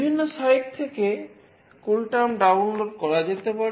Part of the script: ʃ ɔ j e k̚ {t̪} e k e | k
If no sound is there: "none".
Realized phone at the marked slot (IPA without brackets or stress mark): t̪ʰ